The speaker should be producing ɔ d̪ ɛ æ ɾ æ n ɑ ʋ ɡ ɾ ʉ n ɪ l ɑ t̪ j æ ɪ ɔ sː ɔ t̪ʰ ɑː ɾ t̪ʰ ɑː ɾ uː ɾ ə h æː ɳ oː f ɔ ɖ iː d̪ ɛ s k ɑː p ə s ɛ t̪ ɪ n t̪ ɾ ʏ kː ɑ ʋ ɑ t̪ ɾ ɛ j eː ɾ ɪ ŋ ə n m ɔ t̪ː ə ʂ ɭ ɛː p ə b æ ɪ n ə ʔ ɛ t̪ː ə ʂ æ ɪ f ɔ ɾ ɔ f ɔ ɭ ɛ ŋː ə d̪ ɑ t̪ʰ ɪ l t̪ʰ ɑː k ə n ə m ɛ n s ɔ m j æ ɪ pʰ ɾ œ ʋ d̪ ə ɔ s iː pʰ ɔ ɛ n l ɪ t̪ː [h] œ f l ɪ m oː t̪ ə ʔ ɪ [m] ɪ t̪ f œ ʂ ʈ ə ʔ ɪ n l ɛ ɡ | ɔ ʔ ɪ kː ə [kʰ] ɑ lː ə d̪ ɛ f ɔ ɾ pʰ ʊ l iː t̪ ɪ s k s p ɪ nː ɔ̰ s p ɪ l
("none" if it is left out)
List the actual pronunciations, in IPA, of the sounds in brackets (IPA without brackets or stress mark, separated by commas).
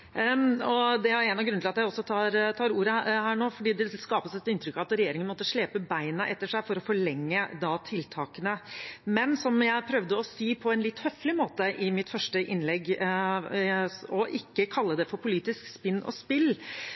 h, m, kʰ